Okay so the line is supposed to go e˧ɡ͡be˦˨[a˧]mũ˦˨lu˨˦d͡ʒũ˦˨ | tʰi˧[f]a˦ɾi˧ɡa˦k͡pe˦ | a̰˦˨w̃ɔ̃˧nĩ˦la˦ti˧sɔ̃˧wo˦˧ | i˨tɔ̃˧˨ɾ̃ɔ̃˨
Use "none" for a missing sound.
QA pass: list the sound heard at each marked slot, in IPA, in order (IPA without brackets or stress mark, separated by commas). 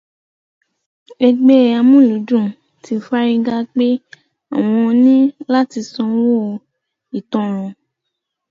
a˧, f